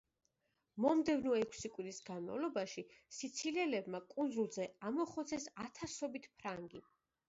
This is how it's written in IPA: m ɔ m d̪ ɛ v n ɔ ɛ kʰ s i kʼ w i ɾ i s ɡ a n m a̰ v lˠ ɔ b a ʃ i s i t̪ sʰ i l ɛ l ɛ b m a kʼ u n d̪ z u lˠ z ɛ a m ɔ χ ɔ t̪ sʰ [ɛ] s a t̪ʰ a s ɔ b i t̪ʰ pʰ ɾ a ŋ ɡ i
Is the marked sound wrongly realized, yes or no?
no